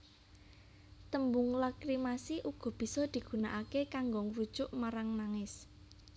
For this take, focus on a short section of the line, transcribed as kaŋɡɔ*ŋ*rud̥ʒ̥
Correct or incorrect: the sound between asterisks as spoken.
correct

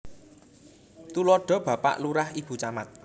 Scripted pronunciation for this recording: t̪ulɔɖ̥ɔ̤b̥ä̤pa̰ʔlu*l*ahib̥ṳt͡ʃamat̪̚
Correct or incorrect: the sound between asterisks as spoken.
incorrect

